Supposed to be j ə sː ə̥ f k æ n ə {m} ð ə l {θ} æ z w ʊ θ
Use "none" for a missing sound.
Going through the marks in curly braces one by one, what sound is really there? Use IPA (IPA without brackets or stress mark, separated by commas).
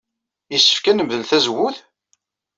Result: m, θ